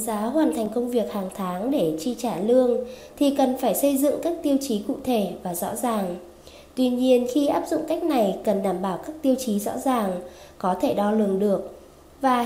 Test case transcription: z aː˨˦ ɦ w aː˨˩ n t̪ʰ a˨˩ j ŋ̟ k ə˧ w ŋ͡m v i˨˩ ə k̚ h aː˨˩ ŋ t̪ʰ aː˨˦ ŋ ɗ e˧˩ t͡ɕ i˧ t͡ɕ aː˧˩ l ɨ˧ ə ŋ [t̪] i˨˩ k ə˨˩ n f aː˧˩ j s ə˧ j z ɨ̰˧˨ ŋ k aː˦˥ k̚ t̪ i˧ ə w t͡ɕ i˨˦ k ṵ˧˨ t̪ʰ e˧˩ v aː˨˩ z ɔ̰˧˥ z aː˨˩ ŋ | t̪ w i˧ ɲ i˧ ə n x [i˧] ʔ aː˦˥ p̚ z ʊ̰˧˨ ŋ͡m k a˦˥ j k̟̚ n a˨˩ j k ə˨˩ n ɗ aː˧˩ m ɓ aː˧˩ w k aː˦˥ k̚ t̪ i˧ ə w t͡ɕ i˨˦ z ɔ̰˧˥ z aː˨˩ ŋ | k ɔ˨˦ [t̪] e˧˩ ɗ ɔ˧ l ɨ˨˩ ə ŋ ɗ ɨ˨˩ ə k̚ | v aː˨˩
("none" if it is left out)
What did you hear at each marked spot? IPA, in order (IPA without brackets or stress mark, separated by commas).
t̪ʰ, i˧, t̪ʰ